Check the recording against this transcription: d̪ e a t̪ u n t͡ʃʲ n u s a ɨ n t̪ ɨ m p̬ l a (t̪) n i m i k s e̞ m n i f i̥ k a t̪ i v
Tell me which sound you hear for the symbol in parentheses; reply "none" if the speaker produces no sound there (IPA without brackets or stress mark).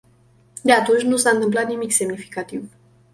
t̪